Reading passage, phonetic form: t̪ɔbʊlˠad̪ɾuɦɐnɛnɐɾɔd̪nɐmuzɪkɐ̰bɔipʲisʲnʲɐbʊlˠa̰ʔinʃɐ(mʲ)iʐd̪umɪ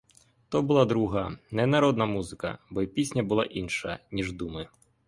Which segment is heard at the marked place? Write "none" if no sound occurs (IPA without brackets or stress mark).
nʲ